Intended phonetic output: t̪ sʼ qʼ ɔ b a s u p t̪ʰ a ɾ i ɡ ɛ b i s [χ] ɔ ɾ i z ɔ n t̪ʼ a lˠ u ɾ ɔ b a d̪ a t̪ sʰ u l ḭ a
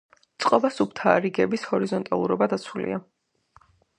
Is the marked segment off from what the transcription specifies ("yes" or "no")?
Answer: yes